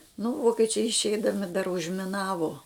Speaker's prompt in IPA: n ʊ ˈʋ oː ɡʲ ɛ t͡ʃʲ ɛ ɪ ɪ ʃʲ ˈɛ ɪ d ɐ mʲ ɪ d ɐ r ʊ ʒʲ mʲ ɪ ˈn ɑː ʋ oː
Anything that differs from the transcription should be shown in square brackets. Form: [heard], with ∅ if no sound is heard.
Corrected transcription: n ʊ ˈʋ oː [kʲ] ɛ t͡ʃʲ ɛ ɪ ɪ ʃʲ ˈɛ ɪ d ɐ mʲ ɪ d ɐ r ʊ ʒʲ mʲ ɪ ˈn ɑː ʋ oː